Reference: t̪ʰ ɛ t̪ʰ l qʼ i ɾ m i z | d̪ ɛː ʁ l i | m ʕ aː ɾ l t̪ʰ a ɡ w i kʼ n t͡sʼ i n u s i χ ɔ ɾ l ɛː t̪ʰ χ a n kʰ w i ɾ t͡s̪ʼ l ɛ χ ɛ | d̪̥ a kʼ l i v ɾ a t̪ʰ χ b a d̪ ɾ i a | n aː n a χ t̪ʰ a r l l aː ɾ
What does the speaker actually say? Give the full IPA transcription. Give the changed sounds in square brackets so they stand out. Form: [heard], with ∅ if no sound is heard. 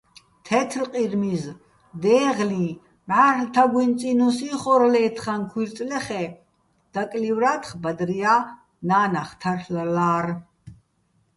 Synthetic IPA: t̪ʰ ɛ t̪ʰ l qʼ i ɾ m i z | d̪ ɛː ʁ l i | m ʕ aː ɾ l t̪ʰ a ɡ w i [∅] n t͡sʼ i n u s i χ ɔ ɾ l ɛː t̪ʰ χ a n kʰ w i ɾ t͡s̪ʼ l ɛ χ ɛ | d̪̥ a kʼ l i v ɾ a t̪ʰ χ b a d̪ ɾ i a | n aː n a χ t̪ʰ a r l l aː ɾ